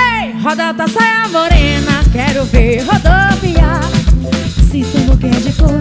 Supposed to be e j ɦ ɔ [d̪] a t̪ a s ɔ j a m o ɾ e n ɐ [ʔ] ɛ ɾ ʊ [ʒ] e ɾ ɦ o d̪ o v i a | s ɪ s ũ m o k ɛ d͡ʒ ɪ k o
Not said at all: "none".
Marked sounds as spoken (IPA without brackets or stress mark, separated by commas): d̪, k, v